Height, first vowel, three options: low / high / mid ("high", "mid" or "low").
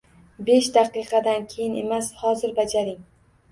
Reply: mid